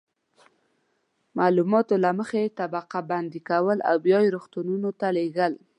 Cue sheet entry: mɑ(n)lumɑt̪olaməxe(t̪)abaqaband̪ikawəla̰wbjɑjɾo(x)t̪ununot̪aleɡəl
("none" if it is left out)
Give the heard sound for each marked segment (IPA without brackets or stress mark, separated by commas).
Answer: none, t̪, x